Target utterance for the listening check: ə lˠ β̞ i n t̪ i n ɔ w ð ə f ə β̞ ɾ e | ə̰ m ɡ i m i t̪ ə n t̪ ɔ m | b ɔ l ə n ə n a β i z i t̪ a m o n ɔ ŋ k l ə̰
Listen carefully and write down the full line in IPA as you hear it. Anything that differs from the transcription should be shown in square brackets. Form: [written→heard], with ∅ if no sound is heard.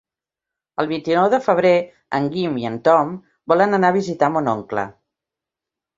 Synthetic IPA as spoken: ə lˠ β̞ i n t̪ i n ɔ w ð ə f ə β̞ ɾ e | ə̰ [m→ŋ] ɡ i m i [t̪→∅] ə n t̪ ɔ m | b ɔ l ə n ə n a β i z i t̪ a m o n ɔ ŋ k l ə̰